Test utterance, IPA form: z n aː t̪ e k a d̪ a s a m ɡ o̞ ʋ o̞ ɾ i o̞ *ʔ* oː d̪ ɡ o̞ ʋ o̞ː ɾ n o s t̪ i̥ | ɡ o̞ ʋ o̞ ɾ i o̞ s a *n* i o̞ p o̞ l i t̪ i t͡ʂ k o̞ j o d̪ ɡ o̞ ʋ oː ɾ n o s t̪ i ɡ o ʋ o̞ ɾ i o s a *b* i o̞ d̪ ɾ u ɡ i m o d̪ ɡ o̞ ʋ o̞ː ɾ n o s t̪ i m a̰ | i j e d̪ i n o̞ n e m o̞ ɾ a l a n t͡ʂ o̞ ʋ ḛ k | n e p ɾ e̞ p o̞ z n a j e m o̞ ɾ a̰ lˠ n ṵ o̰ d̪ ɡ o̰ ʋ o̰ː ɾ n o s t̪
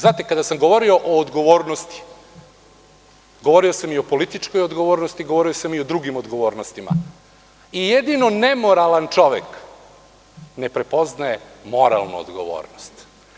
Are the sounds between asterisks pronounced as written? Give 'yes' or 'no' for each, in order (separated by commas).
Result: yes, no, no